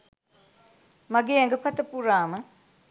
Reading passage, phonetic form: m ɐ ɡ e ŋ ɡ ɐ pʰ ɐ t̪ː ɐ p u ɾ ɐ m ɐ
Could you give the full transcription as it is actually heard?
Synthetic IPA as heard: m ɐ ɡ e ŋ ɡ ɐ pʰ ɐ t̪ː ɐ p u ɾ a m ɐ